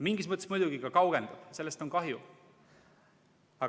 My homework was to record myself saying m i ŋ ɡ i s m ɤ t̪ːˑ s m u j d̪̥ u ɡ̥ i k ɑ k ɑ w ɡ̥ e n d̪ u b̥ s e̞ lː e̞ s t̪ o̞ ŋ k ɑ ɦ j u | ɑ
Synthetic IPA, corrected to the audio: m i ŋ ɡ i s m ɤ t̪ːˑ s m u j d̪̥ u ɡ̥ i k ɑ k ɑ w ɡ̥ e n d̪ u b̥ s e̞ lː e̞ s t̪ o̞ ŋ k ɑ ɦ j u | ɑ